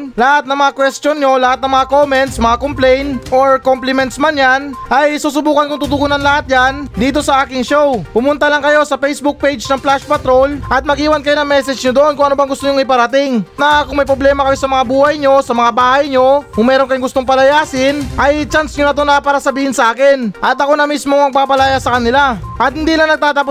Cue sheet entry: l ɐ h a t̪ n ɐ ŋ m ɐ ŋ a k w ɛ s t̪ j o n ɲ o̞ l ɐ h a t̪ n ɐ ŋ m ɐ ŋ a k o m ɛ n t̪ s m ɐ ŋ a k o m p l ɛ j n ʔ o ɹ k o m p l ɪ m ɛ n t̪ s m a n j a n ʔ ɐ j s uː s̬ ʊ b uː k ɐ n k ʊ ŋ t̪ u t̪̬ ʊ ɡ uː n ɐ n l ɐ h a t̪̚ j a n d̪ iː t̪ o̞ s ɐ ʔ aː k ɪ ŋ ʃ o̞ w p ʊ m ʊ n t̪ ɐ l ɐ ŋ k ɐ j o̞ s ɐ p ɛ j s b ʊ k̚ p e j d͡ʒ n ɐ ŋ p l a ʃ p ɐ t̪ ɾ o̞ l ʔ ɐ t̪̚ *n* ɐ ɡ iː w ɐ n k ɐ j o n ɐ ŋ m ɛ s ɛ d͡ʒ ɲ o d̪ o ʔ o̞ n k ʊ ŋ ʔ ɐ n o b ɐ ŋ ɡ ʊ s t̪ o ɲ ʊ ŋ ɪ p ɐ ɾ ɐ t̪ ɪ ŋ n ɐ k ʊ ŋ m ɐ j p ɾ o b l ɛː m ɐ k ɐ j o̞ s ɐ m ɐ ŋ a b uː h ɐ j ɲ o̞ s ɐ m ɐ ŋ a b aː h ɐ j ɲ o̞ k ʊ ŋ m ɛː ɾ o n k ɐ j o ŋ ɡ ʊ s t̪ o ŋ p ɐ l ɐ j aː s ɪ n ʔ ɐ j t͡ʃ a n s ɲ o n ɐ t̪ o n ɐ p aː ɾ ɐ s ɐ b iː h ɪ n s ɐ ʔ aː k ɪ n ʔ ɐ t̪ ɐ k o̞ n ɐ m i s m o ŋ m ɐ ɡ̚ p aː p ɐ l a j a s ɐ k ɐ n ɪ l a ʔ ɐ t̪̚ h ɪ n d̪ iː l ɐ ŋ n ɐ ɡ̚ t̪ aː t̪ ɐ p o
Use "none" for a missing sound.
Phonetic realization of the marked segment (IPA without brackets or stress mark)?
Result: m